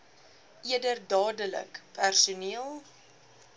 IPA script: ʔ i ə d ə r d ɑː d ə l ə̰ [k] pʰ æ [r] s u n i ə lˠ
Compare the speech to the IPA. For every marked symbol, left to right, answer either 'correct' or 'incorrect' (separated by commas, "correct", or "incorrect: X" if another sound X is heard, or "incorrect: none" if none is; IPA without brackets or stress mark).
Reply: correct, correct